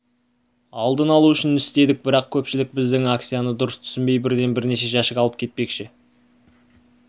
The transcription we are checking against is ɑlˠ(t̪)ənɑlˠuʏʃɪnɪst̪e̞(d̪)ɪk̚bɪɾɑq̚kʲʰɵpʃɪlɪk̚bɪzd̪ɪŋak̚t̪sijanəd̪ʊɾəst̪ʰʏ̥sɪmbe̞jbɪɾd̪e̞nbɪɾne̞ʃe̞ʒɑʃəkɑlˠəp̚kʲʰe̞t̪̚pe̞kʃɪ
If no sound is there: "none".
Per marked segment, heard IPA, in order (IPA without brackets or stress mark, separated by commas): d̪, d̪